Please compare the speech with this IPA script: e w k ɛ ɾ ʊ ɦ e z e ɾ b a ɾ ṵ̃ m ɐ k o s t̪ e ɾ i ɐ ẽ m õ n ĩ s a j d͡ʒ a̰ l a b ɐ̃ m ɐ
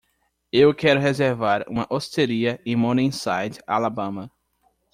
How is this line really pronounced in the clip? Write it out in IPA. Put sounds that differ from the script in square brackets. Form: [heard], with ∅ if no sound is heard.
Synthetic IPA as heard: e w k ɛ ɾ ʊ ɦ e z e ɾ [v] a ɾ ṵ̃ m ɐ [ʔ] o s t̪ e ɾ i ɐ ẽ m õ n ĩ s a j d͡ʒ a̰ l a b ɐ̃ m ɐ